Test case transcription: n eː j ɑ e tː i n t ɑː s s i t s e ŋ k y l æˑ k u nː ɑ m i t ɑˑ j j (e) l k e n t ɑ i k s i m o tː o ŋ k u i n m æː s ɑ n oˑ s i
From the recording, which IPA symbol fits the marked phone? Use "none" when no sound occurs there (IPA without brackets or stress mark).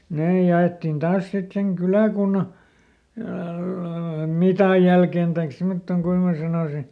æ